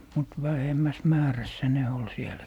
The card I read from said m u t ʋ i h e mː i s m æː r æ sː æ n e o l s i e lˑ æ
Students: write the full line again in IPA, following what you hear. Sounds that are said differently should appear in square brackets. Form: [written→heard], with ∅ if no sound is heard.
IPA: m u t ʋ [i→æ] h e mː [i→æ] s m æː r æ sː æ n e o l s i e lˑ æ